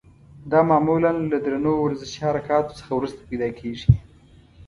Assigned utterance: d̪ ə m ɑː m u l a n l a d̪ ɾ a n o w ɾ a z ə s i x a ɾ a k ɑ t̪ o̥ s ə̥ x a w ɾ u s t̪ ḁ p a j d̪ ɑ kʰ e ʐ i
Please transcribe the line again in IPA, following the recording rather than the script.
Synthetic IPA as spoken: d̪ ɑ m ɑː m u l a n l a d̪ ɾ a n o w ɾ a z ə ʃ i h a ɾ a k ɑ t̪ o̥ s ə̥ x a w ɾ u s t̪ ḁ p a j d̪ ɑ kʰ e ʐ i